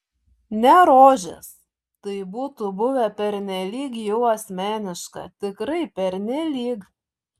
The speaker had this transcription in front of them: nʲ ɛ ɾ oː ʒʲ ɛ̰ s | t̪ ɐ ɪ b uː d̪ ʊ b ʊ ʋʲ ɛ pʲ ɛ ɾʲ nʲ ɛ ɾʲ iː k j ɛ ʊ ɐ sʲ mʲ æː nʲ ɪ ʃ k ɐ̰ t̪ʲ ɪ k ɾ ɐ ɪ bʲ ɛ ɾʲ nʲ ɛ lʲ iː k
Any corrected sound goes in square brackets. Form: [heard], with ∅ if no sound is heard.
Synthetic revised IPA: nʲ ɛ ɾ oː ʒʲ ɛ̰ s | t̪ ɐ ɪ b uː [t̪] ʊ b ʊ ʋʲ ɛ pʲ ɛ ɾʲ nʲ ɛ [lʲ] iː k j ɛ ʊ ɐ sʲ mʲ æː nʲ ɪ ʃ k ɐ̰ t̪ʲ ɪ k ɾ ɐ ɪ [pʲ] ɛ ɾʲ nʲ ɛ lʲ iː k